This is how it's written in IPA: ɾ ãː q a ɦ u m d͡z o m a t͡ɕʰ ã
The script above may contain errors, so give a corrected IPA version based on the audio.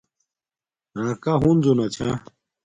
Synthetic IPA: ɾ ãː k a ɦ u n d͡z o n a t͡ɕʰ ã